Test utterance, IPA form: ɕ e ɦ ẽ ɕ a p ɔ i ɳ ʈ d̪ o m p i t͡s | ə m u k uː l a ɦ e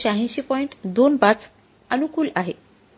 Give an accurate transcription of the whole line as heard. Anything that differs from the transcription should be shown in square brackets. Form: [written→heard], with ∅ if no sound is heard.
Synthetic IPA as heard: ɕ [e→a] ɦ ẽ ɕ [a→i] p ɔ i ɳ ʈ d̪ o [m→n] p [i→a] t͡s | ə [m→n] u k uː l a ɦ e

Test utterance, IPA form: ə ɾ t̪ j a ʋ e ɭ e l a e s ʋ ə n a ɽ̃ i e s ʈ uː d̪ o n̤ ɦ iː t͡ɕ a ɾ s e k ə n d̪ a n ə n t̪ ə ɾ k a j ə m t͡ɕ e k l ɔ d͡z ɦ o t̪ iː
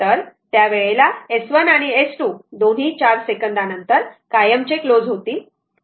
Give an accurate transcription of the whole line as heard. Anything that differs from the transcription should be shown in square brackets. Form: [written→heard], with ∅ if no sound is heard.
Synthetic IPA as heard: ə ɾ t̪ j a ʋ e ɭ e l a e s ʋ ə n a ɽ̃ i e s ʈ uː d̪ o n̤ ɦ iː t͡ɕ a ɾ s e k ə n d̪ a n ə n t̪ ə ɾ k a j ə m t͡ɕ e k l [ɔ→o] d͡z ɦ o t̪ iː

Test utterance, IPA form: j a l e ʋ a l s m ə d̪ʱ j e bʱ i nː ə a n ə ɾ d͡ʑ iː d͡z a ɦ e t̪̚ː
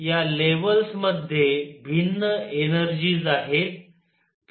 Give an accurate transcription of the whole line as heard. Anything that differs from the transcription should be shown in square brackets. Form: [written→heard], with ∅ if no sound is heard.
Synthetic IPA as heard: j a l e ʋ [a→ə] l s m ə d̪ʱ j e bʱ i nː ə [a→e] n ə ɾ d͡ʑ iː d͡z a ɦ e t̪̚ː

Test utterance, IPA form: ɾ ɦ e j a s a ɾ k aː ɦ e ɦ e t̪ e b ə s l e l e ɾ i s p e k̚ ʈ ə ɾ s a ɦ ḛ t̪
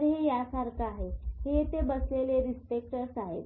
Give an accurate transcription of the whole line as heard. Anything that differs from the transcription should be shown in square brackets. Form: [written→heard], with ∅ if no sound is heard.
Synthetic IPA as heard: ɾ ɦ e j a s a ɾ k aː ɦ e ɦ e t̪ e b ə s l e l e ɾ i s p e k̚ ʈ ə ɾ s a ɦ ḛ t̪

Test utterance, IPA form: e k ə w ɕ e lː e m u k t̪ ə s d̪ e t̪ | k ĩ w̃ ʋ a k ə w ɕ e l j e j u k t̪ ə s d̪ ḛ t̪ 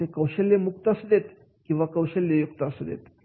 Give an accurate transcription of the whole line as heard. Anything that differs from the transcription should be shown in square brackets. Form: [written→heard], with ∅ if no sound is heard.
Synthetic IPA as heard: e k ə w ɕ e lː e m u k t̪ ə s d̪ e t̪ | k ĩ w̃ ʋ a k ə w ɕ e l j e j u k t̪ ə s d̪ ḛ t̪

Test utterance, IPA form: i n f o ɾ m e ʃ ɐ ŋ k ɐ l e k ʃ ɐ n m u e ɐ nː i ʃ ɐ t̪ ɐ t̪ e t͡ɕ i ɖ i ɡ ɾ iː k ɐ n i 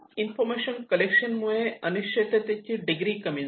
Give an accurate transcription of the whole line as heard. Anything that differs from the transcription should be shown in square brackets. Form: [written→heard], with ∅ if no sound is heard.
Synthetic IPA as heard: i n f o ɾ m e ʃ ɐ [ŋ→n] k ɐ l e k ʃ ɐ n m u e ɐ [nː→n] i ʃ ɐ t̪ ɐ t̪ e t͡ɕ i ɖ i ɡ ɾ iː k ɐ [n→m] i

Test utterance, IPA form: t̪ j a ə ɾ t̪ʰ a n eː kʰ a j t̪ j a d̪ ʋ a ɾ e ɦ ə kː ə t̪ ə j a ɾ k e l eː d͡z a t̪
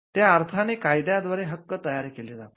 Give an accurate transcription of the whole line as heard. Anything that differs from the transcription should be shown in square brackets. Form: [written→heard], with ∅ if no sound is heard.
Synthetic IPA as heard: t̪ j a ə ɾ t̪ʰ a n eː [kʰ→k] a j [t̪→d̪] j a d̪ ʋ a ɾ e ɦ ə kː ə t̪ ə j a ɾ k e l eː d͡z a t̪

